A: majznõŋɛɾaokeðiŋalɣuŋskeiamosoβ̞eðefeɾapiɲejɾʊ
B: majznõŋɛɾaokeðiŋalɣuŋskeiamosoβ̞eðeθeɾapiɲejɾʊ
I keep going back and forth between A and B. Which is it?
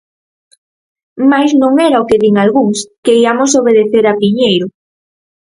B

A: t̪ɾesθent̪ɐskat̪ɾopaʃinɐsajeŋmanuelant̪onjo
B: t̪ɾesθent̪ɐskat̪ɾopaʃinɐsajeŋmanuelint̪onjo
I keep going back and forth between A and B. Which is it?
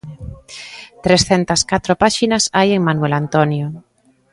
A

